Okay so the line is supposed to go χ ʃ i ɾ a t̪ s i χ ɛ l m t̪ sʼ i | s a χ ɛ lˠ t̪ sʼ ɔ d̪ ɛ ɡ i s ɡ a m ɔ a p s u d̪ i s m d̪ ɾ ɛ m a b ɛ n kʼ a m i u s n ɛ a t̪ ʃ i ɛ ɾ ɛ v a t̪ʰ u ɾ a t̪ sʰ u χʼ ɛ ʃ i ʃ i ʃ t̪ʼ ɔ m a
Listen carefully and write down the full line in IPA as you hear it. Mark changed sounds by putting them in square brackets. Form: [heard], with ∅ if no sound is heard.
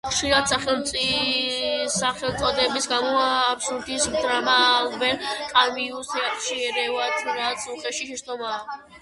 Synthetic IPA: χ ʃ i ɾ a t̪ s [a] χ ɛ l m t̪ sʼ i | s a χ ɛ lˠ t̪ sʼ ɔ d̪ ɛ [b] i s ɡ a m ɔ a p s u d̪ i s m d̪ ɾ [a] m a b ɛ n kʼ a m i u s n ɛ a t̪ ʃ i ɛ ɾ ɛ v a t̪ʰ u ɾ a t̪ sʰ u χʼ ɛ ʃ i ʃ [ɛ] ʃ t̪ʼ ɔ m a